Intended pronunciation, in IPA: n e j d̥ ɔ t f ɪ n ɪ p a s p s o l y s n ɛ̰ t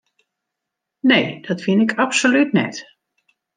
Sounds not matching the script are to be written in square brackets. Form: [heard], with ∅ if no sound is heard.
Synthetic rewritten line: n e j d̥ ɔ t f ɪ n ɪ [k] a [∅] p s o l y [t] n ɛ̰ t